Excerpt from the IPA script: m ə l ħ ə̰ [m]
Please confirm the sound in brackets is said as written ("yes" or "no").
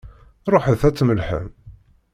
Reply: yes